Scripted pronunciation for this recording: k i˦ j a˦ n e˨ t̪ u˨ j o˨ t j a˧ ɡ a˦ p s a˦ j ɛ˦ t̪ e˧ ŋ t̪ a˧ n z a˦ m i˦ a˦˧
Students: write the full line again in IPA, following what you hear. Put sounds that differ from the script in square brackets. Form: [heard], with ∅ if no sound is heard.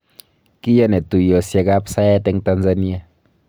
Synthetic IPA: k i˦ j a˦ n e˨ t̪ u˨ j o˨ [s] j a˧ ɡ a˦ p s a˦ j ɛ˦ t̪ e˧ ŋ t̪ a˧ n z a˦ [n] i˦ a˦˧